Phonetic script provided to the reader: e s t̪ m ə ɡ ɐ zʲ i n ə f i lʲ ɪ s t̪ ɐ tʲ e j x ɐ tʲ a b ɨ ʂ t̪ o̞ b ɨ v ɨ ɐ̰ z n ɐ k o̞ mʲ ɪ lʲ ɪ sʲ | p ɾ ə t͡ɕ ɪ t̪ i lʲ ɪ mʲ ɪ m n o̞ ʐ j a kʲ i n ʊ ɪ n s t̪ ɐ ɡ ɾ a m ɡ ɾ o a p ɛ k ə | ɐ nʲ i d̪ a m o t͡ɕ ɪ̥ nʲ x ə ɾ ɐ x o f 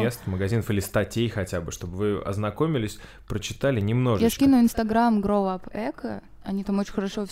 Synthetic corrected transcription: e s t̪ m ə ɡ ɐ zʲ i n ə f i lʲ ɪ s t̪ ɐ tʲ e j x ɐ tʲ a b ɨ ʂ t̪ o̞ b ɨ v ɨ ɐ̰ z n ɐ k o̞ mʲ ɪ lʲ ɪ sʲ | p ɾ ə t͡ɕ ɪ t̪ a lʲ ɪ nʲ ɪ m n o̞ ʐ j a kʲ i n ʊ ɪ n s t̪ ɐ ɡ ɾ a m ɡ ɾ o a p ɛ k ə | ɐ nʲ i t̪ a m o t͡ɕ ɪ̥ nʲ x ə ɾ ɐ ʂ o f